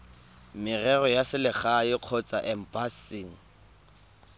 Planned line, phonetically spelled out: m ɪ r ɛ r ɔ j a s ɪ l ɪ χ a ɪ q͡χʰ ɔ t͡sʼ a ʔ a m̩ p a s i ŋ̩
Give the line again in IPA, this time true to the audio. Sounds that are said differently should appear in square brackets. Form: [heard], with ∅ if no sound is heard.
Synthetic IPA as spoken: m ɪ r ɛ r ɔ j a s ɪ l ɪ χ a ɪ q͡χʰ ɔ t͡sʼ a ʔ [ɛ] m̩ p a s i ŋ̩